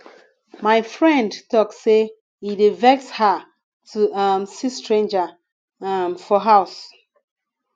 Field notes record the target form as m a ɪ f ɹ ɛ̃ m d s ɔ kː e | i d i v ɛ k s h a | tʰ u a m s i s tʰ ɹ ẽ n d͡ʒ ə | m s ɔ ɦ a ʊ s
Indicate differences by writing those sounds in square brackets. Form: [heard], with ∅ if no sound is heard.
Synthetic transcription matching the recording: m a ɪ f ɹ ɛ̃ [n] d [t] ɔ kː e | i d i v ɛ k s h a | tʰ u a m s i s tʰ ɹ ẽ n d͡ʒ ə | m [f] ɔ ɦ a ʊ s